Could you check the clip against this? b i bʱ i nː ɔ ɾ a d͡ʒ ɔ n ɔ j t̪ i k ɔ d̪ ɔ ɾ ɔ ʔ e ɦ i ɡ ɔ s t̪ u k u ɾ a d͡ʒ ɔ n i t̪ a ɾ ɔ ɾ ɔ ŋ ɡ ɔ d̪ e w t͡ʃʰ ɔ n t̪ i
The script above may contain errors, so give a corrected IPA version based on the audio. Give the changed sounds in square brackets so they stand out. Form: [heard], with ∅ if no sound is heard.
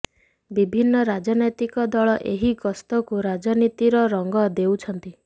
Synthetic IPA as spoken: b i bʱ i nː ɔ ɾ a d͡ʒ ɔ n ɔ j t̪ i k ɔ d̪ ɔ [ɭ] ɔ ʔ e ɦ i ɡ ɔ s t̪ [ɔ] k u ɾ a d͡ʒ ɔ n i t̪ [i] ɾ ɔ ɾ ɔ ŋ ɡ ɔ d̪ e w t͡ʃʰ ɔ n t̪ i